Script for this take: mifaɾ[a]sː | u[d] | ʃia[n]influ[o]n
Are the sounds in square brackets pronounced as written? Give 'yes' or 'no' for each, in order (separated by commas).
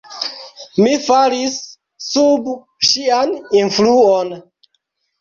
no, no, yes, yes